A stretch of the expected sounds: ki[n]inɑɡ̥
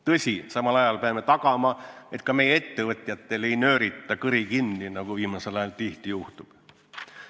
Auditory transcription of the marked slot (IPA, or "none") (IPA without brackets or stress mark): nː